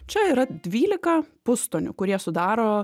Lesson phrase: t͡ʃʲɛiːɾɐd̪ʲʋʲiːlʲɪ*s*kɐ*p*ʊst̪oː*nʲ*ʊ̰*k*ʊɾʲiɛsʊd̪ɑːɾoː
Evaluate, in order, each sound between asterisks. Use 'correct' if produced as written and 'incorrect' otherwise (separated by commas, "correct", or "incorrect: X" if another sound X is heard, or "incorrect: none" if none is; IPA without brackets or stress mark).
incorrect: none, correct, correct, correct